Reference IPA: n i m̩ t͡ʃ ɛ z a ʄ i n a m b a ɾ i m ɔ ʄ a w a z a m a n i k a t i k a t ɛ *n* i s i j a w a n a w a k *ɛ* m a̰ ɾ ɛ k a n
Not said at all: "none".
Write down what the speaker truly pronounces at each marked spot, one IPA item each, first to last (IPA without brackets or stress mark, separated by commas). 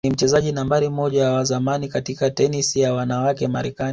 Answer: n, ɛ